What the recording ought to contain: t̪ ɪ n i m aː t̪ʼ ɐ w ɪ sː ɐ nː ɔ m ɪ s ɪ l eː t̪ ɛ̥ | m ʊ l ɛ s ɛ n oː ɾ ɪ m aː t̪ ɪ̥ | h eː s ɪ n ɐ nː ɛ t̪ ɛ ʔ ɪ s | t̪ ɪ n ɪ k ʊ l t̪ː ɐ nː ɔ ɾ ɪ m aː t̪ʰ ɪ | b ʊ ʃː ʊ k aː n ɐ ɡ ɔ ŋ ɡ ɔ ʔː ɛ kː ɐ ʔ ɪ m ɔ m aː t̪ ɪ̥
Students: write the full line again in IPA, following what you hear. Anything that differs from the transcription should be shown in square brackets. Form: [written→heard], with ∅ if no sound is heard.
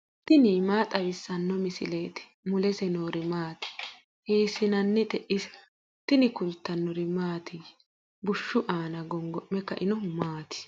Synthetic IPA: t̪ ɪ n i m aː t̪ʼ ɐ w ɪ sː ɐ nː ɔ m ɪ s ɪ l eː t̪ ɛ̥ | m ʊ l ɛ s ɛ n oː ɾ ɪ m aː t̪ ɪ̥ | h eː s ɪ n ɐ nː ɛ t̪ ɛ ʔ ɪ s | t̪ ɪ n ɪ k ʊ l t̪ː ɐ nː ɔ ɾ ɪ m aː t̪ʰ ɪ | b ʊ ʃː ʊ [k→ʔ] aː n ɐ ɡ ɔ ŋ ɡ ɔ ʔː ɛ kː ɐ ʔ ɪ [m→n] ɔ m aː t̪ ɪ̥